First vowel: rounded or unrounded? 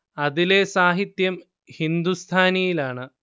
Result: unrounded